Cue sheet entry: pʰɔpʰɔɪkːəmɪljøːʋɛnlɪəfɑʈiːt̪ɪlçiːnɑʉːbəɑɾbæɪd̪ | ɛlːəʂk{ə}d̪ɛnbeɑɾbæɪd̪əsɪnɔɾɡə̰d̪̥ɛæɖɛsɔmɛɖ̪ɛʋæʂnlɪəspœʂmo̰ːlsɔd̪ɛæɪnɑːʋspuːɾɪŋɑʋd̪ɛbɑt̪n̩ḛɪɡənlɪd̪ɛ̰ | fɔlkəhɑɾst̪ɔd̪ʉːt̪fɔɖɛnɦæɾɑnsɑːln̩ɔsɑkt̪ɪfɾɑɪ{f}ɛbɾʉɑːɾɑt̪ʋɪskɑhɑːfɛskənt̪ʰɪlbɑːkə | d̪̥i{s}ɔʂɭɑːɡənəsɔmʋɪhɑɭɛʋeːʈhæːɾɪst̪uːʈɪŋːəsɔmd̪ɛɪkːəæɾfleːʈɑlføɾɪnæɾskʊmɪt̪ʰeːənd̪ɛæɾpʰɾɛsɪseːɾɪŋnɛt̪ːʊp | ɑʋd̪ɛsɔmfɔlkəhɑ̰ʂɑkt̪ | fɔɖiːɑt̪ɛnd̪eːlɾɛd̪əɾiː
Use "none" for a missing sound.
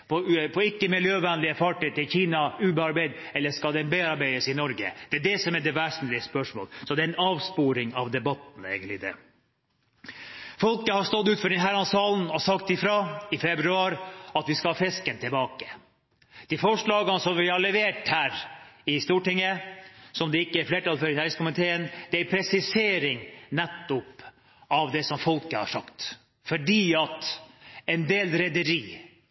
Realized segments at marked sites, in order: ɑ, f, f

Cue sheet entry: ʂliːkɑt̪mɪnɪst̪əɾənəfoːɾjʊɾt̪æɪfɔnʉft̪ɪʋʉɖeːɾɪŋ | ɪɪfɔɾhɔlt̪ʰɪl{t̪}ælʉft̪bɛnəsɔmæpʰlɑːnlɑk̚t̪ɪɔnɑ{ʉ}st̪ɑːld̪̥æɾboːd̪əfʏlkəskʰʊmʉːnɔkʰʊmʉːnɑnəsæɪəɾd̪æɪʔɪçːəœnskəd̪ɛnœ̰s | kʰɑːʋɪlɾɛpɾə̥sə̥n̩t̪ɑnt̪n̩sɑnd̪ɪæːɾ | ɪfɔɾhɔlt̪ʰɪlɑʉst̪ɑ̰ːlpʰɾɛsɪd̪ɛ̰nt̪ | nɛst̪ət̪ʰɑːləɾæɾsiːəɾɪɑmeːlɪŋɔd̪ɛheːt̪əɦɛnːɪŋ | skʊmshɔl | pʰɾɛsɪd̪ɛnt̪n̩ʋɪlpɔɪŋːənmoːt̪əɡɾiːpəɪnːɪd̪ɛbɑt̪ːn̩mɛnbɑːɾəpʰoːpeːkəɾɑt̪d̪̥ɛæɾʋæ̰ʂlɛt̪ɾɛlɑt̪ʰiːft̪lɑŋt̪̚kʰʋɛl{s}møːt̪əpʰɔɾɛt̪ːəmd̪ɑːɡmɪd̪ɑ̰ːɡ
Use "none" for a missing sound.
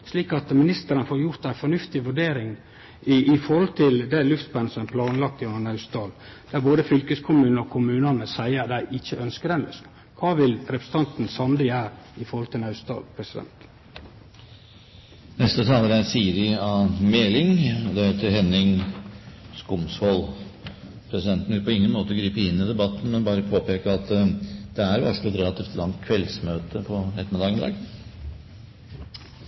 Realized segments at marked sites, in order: d̪, ʉ, s

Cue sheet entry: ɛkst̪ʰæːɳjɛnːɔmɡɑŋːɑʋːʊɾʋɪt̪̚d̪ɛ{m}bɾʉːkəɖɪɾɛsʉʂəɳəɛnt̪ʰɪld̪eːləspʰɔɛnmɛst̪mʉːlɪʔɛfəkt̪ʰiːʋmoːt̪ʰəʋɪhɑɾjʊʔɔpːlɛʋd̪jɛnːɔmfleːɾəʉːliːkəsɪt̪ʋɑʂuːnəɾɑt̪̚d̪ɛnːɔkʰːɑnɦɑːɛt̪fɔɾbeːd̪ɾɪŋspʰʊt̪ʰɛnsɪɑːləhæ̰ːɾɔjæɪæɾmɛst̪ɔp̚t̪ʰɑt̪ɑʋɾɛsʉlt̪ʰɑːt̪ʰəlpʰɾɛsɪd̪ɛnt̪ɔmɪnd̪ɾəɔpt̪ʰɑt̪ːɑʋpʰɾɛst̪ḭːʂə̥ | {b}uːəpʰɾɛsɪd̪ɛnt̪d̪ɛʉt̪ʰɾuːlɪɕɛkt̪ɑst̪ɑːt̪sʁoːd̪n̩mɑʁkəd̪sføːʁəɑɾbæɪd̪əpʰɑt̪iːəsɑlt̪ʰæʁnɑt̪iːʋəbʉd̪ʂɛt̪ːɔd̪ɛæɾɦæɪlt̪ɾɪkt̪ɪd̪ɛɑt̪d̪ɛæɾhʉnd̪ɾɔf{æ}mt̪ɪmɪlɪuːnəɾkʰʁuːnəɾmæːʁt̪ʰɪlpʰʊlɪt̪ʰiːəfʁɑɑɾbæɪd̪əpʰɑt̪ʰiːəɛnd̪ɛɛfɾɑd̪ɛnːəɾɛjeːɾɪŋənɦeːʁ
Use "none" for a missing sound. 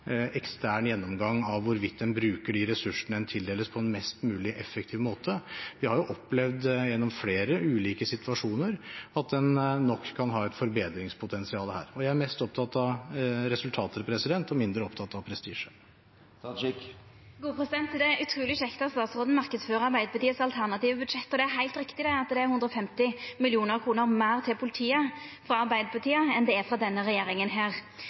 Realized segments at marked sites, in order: n, ɡ, ɛ

